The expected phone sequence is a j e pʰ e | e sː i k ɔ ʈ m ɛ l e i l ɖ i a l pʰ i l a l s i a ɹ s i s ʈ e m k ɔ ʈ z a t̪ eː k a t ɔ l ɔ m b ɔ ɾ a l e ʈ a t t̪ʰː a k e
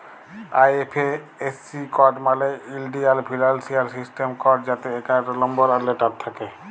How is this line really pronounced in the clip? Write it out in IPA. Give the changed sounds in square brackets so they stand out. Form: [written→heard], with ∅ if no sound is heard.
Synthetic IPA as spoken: a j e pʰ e | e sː i k ɔ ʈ m [ɛ→a] l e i l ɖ i a l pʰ i l a l s i a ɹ s i s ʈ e m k ɔ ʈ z a t̪ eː k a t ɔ l ɔ m b ɔ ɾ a l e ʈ a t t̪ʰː a k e